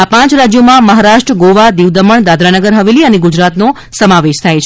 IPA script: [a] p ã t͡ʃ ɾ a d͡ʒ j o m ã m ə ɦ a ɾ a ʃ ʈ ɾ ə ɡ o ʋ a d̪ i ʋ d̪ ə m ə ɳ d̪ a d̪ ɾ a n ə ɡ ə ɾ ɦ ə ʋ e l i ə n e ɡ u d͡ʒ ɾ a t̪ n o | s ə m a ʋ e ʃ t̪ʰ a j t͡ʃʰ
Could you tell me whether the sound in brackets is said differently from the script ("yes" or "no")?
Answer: no